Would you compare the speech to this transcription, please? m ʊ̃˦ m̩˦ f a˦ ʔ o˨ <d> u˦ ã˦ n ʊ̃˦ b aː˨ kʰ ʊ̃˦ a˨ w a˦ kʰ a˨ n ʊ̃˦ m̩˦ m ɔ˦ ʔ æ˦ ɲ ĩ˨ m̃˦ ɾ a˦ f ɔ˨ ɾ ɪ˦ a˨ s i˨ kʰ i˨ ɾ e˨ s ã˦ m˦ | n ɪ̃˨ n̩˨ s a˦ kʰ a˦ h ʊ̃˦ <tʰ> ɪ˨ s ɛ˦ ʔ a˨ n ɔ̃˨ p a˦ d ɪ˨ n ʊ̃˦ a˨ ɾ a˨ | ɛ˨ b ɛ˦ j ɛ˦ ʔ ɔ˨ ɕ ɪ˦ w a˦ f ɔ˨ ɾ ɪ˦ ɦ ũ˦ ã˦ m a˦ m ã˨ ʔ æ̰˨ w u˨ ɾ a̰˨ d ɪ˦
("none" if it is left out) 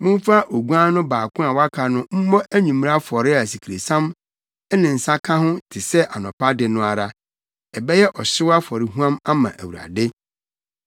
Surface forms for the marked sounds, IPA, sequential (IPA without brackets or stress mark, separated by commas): ɡ, tʰ